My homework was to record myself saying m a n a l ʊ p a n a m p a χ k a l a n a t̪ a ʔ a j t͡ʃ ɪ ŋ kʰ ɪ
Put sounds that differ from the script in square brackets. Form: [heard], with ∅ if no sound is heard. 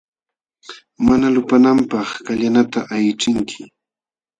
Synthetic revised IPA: m a n a l ʊ p a n a m p [ɑ] χ k a [ʎ] a n a t̪ a ʔ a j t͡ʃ ɪ ŋ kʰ ɪ